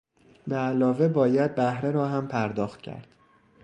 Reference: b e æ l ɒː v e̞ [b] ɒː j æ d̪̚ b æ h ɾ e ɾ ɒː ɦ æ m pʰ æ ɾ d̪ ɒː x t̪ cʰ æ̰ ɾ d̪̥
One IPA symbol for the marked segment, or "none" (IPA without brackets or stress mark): b